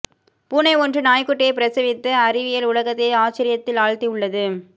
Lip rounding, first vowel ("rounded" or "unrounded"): rounded